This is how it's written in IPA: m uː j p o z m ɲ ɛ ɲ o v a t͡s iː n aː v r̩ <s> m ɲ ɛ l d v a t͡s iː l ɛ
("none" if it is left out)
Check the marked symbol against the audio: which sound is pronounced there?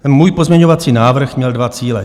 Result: x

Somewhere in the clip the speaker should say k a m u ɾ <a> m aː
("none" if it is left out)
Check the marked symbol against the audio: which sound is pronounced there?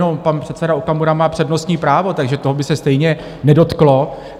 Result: a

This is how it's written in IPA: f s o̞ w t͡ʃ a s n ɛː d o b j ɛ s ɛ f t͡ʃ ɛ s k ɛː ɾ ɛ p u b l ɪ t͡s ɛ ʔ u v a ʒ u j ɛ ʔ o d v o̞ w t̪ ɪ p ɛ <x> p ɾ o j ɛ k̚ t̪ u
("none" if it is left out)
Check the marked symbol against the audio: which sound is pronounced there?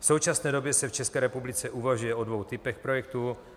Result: x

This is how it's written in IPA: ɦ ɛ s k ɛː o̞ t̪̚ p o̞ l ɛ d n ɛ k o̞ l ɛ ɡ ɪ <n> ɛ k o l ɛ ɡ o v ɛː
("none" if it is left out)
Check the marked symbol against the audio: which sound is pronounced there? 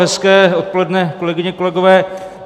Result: ɲ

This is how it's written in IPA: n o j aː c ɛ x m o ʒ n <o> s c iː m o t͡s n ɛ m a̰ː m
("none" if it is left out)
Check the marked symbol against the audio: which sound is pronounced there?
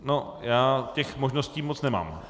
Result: o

